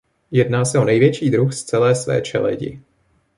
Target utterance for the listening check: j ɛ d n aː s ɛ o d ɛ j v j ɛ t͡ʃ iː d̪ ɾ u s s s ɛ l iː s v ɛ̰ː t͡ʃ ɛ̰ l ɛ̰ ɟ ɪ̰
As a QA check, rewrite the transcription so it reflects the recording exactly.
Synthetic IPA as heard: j ɛ d n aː s ɛ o n ɛ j v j ɛ t͡ʃ iː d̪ ɾ u x s t͡s ɛ l ɛː s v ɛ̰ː t͡ʃ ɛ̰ l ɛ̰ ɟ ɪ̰

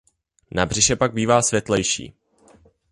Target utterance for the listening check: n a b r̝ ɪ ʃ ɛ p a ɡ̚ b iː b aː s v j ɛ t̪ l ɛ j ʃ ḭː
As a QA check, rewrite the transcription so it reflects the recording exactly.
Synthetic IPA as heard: n a b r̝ ɪ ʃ ɛ p a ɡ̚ b iː v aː s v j ɛ t̪ l ɛ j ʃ ḭː

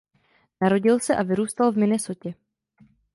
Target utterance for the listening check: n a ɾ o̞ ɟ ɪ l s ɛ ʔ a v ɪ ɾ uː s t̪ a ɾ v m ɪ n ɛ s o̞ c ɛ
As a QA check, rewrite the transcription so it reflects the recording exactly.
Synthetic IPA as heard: n a ɾ o̞ ɟ ɪ l s ɛ ʔ a v ɪ ɾ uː s t̪ a l v m ɪ n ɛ s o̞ c ɛ

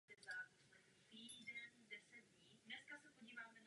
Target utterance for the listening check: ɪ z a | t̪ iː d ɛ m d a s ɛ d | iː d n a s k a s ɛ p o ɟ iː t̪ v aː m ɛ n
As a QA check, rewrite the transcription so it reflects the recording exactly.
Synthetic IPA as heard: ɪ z a | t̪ iː d ɛ n d ɛ s ɛ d | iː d n ɛ s k a s ɛ p o ɟ iː v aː m ɛ n

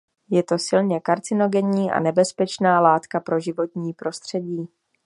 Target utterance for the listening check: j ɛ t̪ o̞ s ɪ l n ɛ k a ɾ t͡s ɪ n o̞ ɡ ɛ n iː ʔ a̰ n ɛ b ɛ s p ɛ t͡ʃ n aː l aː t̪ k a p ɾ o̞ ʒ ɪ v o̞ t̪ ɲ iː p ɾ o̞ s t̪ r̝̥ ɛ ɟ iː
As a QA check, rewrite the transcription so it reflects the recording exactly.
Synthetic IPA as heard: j ɛ t̪ o̞ s ɪ l ɲ ɛ k a ɾ t͡s ɪ n o̞ ɡ ɛ ɲ iː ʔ a̰ n ɛ b ɛ s p ɛ t͡ʃ n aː l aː t̪ k a p ɾ o̞ ʒ ɪ v o̞ t̪ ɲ iː p ɾ o̞ s t̪ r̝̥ ɛ ɟ iː

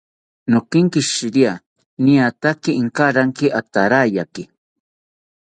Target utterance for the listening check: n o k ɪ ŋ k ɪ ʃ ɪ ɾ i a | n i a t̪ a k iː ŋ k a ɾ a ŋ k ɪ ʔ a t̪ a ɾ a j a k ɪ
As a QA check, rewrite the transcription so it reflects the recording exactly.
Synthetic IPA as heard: n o k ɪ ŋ k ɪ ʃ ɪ ɾ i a | n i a t̪ a k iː ŋ k a ɾ a ŋ k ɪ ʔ a t̪ a ɾ a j a k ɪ

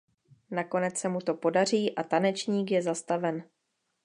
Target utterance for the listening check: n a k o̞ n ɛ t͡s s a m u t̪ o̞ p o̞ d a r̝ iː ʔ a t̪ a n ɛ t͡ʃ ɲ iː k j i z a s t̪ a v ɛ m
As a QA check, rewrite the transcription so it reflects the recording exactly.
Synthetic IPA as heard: n a k o̞ n ɛ t͡s s ɛ m u t̪ o̞ p o̞ d a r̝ iː ʔ a t̪ a n ɛ t͡ʃ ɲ iː k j ɛ z a s t̪ a v ɛ n

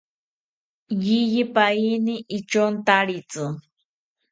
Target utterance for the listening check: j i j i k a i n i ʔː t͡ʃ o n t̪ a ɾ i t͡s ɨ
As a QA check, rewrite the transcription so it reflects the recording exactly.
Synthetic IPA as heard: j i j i p a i n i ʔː t͡ʃ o n t̪ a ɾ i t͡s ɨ

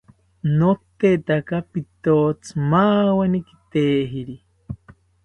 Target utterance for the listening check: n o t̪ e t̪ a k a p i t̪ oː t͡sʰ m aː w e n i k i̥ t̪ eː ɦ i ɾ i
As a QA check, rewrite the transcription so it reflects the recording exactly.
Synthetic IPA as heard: n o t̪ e t̪ a k a p i t̪ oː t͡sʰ m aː w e n i k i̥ t̪ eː ɦ i ɾ i

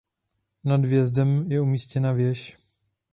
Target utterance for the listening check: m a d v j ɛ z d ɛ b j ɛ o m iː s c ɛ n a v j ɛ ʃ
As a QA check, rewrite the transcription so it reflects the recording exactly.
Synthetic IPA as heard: n a d v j ɛ z d ɛ m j ɛ u m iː s c ɛ n a v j ɛ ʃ

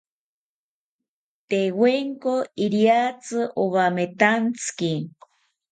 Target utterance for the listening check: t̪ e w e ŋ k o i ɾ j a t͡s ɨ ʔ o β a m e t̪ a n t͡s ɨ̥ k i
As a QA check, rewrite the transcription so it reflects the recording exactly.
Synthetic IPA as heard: t̪ e w e ŋ k o i ɾ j a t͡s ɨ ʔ o β a m e t̪ a n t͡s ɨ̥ k i

